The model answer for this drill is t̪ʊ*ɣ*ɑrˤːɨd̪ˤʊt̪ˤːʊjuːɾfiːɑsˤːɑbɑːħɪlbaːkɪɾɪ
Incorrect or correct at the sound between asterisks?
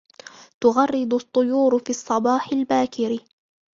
correct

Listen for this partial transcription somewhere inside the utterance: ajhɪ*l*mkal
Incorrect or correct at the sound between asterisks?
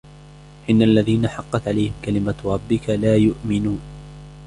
incorrect: none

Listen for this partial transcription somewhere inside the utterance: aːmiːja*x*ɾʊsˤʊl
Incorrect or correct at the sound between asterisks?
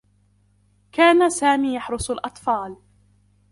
incorrect: ħ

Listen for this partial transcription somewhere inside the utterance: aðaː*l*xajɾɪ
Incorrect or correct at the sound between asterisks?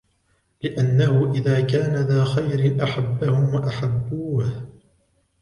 incorrect: none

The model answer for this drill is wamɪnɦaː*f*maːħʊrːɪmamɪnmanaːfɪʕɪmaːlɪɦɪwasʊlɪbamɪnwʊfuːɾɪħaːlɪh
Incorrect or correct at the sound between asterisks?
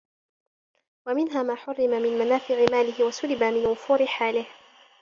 incorrect: none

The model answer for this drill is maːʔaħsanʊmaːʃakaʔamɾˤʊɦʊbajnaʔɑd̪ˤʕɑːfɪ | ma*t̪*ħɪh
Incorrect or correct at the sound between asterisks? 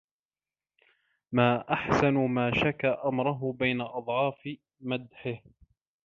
incorrect: d̪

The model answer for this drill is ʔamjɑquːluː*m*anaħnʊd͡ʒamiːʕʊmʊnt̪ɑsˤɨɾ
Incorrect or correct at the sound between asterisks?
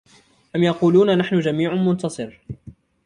incorrect: n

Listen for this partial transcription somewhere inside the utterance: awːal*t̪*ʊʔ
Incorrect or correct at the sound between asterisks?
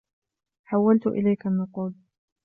correct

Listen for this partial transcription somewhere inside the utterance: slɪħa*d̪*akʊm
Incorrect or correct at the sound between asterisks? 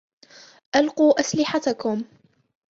incorrect: t̪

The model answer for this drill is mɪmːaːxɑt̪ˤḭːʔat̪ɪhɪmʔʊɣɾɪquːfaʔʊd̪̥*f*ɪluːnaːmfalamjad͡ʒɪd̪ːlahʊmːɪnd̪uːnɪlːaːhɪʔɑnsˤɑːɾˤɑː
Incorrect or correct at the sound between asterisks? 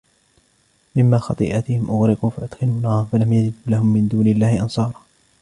incorrect: x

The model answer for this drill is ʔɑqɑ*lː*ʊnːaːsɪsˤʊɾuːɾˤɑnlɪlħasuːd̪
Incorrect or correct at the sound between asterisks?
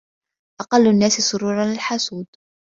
correct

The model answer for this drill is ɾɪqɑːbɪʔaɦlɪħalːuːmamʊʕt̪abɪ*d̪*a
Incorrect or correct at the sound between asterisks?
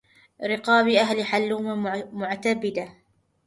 correct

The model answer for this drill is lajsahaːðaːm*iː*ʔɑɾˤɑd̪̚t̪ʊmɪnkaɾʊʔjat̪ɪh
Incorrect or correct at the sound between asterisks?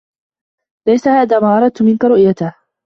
incorrect: aː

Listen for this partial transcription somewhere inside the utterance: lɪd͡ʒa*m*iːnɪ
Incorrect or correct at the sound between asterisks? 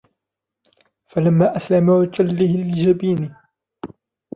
incorrect: b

